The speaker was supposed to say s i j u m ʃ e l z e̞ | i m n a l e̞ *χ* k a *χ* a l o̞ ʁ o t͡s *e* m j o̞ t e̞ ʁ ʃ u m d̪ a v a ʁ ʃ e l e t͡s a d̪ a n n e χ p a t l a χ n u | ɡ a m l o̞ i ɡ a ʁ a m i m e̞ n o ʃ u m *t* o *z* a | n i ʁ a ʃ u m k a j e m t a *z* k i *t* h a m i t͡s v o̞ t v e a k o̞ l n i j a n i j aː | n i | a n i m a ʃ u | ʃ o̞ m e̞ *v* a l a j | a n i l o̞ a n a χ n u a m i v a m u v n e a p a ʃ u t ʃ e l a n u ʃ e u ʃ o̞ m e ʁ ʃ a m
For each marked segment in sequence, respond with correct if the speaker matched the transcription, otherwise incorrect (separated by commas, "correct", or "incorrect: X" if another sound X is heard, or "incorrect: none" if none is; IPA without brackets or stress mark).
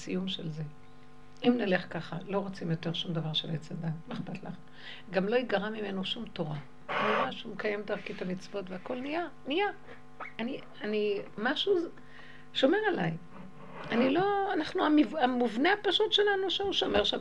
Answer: correct, correct, incorrect: i, correct, incorrect: ʁ, incorrect: ʁ, correct, incorrect: ʁ